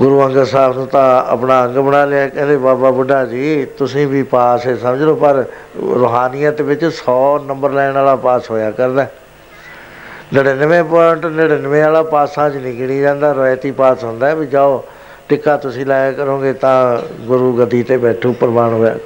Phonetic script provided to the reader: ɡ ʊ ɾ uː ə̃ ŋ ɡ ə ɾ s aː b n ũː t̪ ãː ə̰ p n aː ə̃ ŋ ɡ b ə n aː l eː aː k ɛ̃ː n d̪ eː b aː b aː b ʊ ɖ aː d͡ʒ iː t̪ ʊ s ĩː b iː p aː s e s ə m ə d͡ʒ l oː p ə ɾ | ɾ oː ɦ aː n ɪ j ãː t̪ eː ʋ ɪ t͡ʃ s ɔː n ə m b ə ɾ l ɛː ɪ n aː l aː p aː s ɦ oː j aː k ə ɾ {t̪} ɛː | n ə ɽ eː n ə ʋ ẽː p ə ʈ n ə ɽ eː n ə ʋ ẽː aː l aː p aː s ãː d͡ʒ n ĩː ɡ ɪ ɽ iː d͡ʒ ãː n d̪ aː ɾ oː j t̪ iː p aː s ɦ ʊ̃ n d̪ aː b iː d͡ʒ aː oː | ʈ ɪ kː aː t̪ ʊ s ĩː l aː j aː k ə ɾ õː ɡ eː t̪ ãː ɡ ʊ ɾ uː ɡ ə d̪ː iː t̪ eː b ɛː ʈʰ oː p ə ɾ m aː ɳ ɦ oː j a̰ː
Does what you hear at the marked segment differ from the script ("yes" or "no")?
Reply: yes